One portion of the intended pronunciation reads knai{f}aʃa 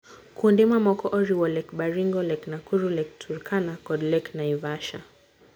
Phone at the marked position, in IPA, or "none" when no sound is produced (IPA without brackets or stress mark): v